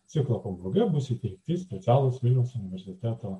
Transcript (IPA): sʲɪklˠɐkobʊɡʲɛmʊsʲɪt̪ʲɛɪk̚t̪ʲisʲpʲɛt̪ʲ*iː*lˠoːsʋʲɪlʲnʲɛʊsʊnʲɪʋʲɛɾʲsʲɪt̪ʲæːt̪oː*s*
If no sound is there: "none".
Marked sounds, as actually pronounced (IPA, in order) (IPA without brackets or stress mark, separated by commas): æː, none